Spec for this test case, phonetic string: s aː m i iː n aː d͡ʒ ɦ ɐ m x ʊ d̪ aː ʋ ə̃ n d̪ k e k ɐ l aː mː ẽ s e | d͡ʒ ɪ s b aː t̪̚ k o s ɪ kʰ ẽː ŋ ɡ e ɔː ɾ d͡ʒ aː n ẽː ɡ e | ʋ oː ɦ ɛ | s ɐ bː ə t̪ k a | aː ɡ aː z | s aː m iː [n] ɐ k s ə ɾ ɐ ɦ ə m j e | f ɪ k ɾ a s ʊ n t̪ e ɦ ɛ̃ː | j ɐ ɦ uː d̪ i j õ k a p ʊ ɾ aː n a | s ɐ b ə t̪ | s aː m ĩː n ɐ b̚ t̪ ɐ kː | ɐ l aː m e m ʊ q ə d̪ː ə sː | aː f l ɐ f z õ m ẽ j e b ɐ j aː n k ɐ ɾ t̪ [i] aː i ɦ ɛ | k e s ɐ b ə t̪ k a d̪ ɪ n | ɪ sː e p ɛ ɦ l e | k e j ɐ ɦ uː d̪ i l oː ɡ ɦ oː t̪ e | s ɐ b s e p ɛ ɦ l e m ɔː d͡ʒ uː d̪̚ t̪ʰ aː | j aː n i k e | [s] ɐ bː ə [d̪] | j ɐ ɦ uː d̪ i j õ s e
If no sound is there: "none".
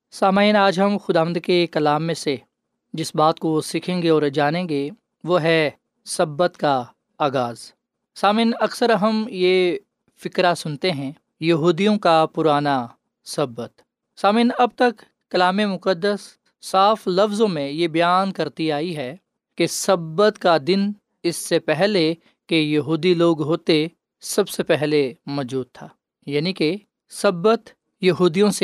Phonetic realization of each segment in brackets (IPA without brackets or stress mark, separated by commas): n, i, s, t̪